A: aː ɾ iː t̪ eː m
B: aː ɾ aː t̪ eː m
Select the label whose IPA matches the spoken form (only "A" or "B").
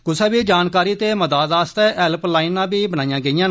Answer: A